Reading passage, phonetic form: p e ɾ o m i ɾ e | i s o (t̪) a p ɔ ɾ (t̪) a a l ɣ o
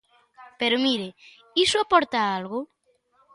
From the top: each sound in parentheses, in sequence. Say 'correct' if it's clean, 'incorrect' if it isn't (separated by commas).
incorrect, correct